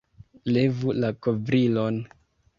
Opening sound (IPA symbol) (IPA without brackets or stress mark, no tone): l